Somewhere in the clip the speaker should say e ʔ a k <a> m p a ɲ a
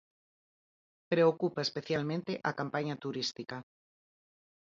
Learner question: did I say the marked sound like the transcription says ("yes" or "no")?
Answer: yes